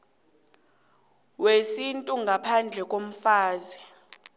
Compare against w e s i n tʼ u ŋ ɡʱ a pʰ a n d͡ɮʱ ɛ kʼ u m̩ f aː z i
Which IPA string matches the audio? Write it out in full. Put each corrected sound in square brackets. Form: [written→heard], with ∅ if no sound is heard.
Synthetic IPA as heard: w e s i n tʼ u ŋ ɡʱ a pʰ a n d͡ɮʱ ɛ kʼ [u→o] m̩ f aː z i